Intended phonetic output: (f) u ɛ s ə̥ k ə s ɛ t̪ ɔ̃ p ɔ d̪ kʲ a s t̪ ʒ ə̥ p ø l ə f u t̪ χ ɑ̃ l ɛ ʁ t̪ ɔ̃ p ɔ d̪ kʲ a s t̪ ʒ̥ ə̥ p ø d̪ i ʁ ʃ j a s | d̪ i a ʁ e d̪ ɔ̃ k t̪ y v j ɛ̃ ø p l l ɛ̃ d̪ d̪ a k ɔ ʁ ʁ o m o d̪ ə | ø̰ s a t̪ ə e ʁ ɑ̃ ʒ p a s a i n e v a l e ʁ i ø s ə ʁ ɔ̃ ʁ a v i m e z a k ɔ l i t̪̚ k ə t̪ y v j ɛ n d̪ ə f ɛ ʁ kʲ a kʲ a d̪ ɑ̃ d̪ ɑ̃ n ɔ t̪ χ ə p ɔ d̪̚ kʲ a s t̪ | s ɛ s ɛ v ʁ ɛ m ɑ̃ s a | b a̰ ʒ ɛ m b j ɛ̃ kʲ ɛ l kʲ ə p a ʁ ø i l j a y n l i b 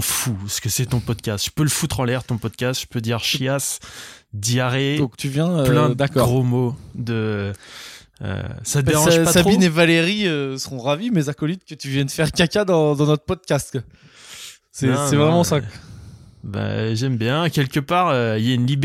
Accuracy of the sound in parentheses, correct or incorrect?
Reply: correct